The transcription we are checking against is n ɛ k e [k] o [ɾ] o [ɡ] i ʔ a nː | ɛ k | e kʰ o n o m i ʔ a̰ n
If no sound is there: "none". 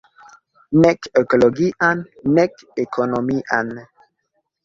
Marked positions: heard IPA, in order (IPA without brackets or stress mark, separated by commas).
k, l, ɡ